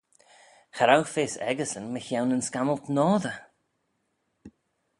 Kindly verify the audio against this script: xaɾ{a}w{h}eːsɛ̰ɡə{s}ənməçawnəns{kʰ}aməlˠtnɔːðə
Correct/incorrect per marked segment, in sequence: correct, incorrect: f, correct, incorrect: k

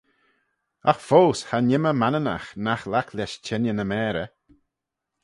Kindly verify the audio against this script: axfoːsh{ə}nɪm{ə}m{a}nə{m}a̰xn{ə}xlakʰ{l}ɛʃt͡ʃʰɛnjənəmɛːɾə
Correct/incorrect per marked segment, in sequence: incorrect: a, correct, correct, incorrect: n, incorrect: a, correct

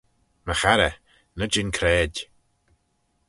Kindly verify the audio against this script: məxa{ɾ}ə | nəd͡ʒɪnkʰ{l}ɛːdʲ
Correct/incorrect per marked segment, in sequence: correct, incorrect: ɾ

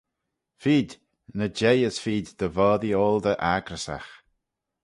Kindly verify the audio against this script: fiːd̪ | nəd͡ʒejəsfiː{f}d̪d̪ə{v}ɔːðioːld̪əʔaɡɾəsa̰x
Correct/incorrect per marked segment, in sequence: incorrect: none, correct

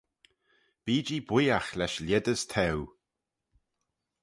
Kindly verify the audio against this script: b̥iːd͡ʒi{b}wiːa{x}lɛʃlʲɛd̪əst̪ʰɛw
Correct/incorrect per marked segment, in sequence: correct, correct

